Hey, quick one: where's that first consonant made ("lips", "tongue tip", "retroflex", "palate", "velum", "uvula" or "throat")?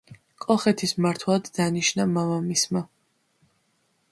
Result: velum